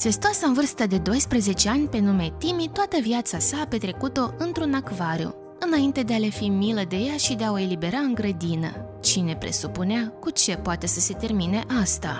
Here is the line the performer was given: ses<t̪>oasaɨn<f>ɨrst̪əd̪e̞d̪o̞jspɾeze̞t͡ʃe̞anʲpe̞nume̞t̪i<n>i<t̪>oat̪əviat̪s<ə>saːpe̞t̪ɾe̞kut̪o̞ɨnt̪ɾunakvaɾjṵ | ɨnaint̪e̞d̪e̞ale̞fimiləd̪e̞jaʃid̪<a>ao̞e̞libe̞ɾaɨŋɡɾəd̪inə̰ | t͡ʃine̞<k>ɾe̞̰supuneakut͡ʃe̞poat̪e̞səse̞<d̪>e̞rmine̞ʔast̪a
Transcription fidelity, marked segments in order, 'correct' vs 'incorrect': correct, incorrect: v, incorrect: m, correct, incorrect: a, incorrect: e, incorrect: p, incorrect: t̪

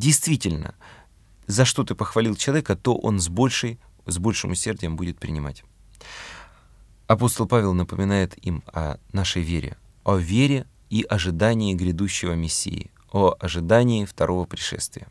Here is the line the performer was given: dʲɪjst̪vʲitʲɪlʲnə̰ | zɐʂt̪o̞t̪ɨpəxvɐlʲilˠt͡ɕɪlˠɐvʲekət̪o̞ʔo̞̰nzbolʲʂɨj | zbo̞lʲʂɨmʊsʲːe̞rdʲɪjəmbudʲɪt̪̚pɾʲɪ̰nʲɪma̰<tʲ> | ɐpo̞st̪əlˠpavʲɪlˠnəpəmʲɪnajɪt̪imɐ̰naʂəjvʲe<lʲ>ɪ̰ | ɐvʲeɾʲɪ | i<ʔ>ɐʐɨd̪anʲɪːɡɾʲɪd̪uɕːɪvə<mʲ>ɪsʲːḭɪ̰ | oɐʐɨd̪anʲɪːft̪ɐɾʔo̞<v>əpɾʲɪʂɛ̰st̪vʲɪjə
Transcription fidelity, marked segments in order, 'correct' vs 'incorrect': correct, incorrect: ɾʲ, correct, correct, correct

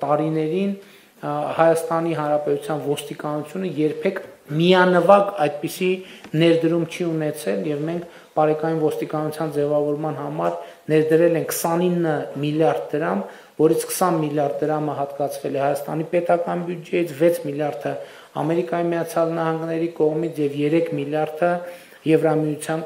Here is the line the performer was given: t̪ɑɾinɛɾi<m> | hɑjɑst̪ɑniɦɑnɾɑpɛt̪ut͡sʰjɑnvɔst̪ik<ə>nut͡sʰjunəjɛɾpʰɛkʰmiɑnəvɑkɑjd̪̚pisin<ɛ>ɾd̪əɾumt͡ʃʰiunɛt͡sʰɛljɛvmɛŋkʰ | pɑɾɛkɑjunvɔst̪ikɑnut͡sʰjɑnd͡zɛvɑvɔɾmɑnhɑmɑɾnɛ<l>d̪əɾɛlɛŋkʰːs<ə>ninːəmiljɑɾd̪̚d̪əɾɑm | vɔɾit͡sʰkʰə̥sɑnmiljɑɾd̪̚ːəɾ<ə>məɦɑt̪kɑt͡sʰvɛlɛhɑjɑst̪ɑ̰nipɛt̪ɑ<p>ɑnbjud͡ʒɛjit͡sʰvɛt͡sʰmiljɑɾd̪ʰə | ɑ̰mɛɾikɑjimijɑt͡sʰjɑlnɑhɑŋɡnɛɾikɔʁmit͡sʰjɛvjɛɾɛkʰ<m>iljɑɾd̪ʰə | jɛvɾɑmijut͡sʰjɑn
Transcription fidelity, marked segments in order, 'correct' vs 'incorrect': incorrect: n, incorrect: ɑ, correct, incorrect: ɾ, incorrect: ɑ, incorrect: ɑ, incorrect: k, correct

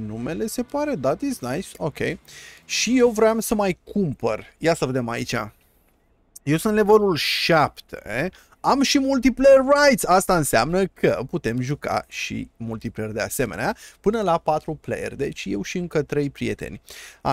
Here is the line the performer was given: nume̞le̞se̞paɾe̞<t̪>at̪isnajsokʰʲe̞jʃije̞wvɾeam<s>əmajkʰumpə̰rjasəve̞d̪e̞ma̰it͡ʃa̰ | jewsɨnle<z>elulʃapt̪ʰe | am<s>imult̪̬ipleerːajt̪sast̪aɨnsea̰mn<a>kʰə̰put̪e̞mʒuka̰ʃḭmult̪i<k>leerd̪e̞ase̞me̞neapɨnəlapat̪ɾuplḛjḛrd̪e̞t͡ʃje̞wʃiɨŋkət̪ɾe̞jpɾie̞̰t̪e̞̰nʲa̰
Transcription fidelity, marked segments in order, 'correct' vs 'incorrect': incorrect: d̪, correct, incorrect: v, incorrect: ʃ, incorrect: ə, incorrect: p

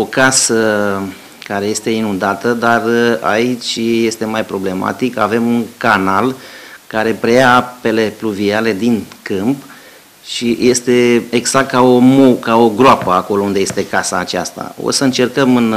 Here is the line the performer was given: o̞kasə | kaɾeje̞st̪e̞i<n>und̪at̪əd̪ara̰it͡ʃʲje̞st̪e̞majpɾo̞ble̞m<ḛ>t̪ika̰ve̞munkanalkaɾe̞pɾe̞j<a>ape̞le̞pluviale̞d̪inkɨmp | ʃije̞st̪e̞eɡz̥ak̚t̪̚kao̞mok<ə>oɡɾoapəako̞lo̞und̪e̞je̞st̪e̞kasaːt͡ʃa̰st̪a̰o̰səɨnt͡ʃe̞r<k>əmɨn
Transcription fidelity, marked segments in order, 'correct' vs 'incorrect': correct, incorrect: a̰, correct, incorrect: a, correct

